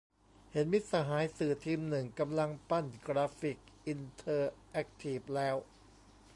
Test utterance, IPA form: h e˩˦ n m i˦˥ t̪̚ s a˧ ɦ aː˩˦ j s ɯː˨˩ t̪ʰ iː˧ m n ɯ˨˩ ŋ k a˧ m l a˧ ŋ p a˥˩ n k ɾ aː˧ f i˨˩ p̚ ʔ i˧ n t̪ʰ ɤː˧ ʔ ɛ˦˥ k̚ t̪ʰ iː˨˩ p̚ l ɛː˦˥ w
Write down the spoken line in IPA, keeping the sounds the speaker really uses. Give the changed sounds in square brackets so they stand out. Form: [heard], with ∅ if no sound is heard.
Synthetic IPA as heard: h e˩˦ n m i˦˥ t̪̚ s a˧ ɦ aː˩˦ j s ɯː˨˩ t̪ʰ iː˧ m n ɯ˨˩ ŋ k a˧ m l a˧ ŋ p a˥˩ n k ɾ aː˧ f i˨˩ [k̚] ʔ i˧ n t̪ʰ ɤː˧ ʔ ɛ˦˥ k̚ t̪ʰ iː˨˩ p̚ l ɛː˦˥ w